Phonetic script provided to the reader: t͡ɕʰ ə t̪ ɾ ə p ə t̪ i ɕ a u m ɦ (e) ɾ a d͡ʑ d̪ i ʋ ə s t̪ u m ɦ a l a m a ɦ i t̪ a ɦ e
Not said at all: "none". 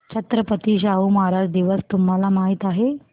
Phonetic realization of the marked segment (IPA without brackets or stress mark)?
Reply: a